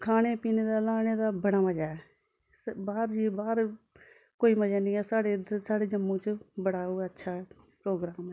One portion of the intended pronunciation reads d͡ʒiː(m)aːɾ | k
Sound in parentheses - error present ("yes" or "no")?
yes